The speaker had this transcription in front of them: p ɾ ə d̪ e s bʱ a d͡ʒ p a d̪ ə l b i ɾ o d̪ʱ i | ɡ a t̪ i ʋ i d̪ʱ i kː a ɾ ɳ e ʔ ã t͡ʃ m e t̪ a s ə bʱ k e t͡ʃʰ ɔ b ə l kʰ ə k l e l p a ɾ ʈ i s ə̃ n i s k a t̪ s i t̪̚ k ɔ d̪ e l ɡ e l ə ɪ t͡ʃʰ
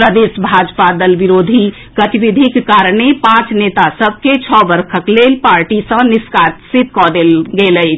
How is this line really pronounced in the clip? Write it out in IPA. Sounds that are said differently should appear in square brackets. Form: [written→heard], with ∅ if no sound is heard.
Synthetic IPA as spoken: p ɾ ə d̪ e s bʱ a d͡ʒ p a d̪ ə l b i ɾ o d̪ʱ i | ɡ [a→ə] t̪ i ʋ i d̪ʱ i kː a ɾ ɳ e [ʔ→p] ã t͡ʃ [m→n] e t̪ a s ə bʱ k e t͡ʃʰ ɔ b ə [l→ɾ] kʰ ə k l e l p a ɾ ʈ i s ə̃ n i s k a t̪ s i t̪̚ k ɔ d̪ e l ɡ e l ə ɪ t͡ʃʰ